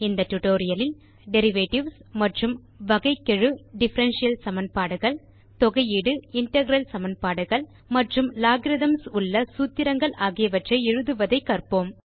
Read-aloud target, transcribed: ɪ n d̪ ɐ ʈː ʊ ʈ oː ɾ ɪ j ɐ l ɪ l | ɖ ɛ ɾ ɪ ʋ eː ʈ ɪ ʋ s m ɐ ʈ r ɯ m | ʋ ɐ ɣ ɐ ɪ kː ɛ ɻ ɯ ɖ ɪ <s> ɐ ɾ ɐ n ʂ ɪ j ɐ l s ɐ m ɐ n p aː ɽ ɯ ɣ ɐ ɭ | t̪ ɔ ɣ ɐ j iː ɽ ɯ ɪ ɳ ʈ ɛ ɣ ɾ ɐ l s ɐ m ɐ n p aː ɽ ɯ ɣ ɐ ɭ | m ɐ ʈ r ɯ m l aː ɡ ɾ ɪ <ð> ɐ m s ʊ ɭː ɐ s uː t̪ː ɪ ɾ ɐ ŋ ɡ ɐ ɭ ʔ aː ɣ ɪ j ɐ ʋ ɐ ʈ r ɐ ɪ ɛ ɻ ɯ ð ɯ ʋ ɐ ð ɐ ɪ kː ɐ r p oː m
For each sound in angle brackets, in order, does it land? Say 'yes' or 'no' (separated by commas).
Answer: no, yes